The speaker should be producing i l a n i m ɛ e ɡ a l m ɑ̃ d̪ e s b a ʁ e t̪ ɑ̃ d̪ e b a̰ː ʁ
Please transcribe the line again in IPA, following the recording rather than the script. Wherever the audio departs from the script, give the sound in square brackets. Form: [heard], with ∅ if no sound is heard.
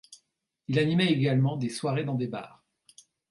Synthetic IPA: i l a n i m ɛ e ɡ a l m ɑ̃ d̪ e s [w] a ʁ e [d̪] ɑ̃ d̪ e b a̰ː ʁ